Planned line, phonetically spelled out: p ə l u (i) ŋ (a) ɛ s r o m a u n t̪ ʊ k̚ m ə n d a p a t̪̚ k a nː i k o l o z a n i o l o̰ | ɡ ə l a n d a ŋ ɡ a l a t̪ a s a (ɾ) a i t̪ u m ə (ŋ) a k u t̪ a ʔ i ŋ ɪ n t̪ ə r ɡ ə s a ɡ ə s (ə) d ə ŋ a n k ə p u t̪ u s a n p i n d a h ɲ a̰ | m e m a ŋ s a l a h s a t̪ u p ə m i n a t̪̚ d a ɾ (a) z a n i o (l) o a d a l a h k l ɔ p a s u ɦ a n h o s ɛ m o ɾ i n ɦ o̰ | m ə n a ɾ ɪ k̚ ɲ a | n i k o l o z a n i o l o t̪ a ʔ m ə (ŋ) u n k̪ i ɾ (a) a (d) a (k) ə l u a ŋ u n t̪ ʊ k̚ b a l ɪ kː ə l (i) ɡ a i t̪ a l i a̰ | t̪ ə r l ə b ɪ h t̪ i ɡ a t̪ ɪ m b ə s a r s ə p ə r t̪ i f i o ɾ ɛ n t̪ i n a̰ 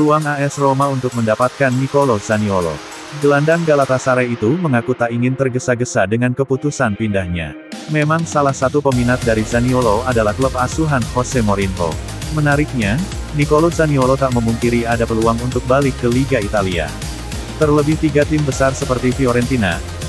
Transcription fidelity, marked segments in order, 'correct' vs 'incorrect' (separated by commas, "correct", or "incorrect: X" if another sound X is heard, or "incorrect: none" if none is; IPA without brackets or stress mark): incorrect: a, correct, correct, correct, incorrect: a, incorrect: i, correct, incorrect: m, incorrect: i, correct, incorrect: p, correct